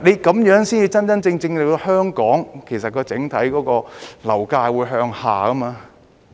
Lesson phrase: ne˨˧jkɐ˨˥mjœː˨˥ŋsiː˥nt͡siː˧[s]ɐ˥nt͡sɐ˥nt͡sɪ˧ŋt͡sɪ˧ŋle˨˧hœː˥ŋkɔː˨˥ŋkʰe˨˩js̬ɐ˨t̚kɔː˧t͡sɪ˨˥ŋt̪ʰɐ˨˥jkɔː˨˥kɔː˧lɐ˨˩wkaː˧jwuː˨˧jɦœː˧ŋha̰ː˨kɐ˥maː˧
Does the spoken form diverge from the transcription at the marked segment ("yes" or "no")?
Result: yes